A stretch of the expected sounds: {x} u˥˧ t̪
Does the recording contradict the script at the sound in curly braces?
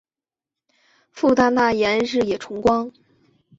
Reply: yes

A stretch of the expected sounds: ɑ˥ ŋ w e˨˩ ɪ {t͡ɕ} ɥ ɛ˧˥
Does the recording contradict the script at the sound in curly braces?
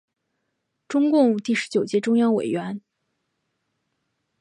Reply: yes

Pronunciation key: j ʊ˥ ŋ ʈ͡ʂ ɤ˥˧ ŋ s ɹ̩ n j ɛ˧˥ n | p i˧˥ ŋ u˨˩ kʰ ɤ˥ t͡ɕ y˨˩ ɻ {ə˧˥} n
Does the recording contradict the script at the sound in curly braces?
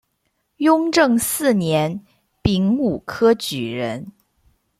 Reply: no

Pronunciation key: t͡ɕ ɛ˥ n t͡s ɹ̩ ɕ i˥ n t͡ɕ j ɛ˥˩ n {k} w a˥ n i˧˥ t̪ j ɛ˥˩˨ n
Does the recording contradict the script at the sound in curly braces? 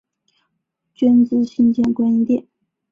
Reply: no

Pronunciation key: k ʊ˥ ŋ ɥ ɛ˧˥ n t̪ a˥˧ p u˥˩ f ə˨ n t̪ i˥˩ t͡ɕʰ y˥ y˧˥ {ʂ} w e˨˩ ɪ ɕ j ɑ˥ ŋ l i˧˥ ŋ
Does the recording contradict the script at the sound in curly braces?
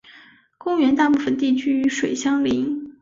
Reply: no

